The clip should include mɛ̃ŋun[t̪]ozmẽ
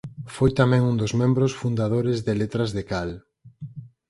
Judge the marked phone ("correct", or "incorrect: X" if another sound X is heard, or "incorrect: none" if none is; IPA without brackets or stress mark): incorrect: d̪